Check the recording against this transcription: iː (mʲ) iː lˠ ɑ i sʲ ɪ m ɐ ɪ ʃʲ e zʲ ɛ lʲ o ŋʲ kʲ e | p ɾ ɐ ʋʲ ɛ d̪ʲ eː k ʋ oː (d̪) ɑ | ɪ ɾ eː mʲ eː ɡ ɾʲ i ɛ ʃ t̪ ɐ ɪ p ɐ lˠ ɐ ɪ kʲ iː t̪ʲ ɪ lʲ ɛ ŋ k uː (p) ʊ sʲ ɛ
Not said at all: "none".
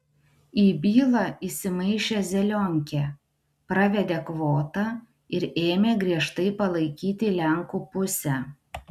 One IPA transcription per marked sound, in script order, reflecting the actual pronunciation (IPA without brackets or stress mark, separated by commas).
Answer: bʲ, t̪, p